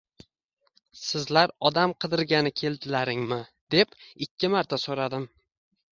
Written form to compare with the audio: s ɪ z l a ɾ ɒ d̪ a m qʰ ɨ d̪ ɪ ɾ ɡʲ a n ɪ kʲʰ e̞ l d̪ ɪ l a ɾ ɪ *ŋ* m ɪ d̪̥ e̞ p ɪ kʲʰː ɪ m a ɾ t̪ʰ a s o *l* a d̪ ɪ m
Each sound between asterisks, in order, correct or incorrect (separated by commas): correct, incorrect